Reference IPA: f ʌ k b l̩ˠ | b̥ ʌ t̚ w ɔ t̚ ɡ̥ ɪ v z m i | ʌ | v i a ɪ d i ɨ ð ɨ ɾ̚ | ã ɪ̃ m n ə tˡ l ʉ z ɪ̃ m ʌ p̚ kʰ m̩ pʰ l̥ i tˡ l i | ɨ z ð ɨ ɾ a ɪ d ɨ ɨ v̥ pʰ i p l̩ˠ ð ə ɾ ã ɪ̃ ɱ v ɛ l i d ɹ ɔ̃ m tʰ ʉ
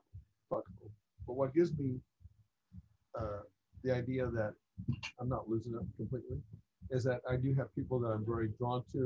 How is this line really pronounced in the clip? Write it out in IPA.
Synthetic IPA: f ʌ k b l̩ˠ | b̥ ʌ t̚ w ʌ t̚ ɡ̥ ɪ v z m i | ʌ | ð i a ɪ d i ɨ ð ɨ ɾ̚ | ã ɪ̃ m n ə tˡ l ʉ z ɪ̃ ŋ ʌ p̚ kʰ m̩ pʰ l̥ i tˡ l i | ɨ z ð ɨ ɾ a ɪ d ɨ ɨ v̥ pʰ i p l̩ˠ ð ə ɾ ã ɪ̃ ɱ v ɛ ɹ i d ɹ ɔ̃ n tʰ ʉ